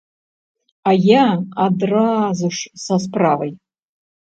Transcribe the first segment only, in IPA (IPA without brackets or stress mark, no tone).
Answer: a